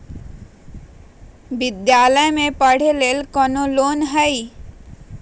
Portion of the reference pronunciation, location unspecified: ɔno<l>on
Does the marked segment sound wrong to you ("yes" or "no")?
no